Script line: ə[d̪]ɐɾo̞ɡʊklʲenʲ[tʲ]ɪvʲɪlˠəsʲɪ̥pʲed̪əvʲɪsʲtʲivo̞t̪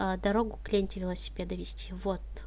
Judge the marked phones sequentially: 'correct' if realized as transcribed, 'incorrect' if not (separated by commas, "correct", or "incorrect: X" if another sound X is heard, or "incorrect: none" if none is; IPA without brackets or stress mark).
correct, correct